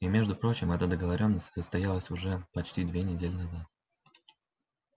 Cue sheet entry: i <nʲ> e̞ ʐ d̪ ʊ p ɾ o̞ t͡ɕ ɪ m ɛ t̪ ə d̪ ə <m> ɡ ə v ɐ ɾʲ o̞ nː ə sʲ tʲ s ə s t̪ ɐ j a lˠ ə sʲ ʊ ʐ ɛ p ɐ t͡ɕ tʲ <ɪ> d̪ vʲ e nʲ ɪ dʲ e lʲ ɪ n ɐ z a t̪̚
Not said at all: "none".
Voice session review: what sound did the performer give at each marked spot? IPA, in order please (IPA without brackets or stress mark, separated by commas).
mʲ, none, i